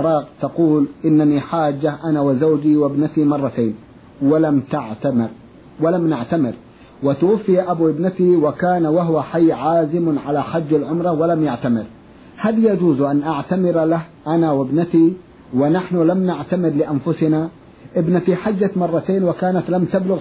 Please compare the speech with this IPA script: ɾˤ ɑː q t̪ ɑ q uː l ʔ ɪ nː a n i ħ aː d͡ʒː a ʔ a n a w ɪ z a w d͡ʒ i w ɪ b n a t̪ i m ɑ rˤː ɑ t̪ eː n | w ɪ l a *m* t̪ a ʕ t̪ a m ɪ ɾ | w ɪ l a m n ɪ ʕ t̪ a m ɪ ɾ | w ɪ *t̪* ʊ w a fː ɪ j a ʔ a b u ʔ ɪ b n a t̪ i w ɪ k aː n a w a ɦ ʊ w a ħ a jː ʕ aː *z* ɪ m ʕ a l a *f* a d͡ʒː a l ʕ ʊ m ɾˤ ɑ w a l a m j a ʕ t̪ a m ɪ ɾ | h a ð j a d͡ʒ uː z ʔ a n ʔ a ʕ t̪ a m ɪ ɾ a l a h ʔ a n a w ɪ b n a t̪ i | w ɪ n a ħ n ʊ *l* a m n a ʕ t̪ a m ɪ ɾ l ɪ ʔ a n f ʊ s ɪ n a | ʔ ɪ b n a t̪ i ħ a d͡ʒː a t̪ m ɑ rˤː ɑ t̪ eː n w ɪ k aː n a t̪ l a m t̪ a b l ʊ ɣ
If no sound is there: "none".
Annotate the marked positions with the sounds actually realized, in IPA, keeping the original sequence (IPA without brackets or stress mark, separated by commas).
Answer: m, t̪, z, ħ, l